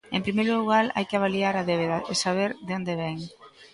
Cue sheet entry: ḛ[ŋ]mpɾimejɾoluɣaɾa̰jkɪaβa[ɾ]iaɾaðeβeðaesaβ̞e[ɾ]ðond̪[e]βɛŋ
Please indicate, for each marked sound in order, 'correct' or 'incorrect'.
incorrect: none, incorrect: l, correct, correct

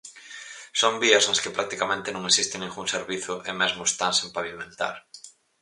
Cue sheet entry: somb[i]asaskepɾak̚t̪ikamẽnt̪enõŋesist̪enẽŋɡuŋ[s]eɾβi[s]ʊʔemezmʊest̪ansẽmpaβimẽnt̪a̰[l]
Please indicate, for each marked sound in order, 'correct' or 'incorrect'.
correct, correct, incorrect: θ, incorrect: ɾ

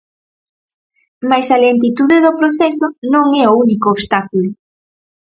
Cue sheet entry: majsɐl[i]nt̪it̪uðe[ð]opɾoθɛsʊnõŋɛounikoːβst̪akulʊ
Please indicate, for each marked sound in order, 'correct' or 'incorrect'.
incorrect: e, correct

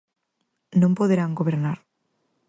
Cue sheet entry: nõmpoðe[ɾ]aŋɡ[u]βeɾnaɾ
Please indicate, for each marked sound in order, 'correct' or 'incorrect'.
correct, incorrect: o

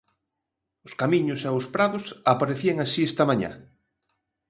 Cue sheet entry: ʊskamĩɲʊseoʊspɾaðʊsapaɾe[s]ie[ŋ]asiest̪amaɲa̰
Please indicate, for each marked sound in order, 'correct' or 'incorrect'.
incorrect: θ, correct

